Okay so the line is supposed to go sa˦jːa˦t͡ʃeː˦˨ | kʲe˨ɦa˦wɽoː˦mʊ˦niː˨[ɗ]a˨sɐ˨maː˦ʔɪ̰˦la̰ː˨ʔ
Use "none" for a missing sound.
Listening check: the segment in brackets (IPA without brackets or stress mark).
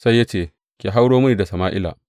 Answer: d